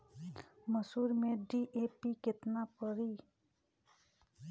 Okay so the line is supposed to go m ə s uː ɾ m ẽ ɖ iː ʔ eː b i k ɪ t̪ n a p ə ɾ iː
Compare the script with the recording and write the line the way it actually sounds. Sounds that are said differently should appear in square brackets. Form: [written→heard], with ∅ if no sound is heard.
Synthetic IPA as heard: m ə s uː ɾ m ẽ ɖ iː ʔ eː [b→p] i k ɪ t̪ n a p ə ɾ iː